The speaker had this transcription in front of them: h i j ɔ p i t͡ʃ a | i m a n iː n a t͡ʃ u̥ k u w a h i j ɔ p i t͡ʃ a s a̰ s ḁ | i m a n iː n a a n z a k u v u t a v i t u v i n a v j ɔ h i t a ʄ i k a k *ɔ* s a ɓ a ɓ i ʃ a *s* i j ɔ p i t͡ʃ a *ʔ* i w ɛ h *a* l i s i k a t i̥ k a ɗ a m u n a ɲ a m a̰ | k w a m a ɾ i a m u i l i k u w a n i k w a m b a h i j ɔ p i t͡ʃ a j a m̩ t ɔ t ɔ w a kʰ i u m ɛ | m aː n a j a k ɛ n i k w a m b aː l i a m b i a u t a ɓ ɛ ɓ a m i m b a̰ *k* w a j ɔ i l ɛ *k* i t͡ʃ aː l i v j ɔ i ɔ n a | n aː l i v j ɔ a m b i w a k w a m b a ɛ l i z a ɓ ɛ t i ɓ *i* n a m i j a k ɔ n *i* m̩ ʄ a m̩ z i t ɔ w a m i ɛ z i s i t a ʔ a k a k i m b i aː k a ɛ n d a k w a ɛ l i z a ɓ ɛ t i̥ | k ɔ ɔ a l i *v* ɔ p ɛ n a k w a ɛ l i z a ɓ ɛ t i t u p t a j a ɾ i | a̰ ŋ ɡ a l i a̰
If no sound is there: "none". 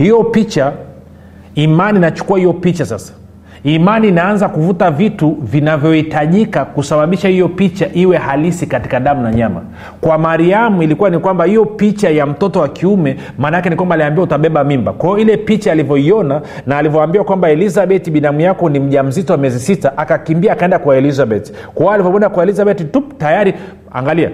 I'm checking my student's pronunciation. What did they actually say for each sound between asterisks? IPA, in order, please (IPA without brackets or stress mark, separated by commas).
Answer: u, h, ʔ, a, k, p, i, i, v